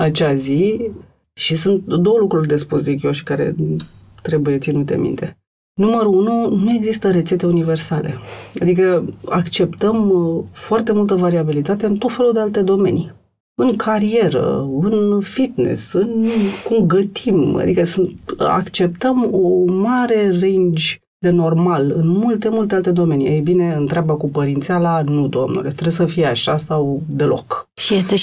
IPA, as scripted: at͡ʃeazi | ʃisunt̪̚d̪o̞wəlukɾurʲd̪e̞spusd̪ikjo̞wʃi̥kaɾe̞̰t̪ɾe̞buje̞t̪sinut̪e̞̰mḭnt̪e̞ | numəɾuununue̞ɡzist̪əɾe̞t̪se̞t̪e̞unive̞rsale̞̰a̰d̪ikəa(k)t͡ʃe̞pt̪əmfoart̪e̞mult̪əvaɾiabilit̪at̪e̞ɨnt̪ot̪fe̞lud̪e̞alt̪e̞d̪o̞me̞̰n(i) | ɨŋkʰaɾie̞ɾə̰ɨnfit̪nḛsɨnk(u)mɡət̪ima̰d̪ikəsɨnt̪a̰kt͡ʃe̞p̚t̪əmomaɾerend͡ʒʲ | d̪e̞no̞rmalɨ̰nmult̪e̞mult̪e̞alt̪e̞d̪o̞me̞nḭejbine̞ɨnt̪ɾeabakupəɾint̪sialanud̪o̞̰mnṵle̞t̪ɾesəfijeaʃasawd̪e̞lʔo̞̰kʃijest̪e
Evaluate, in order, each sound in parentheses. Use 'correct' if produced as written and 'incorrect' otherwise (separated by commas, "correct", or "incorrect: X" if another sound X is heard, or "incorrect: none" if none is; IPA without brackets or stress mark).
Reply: correct, correct, correct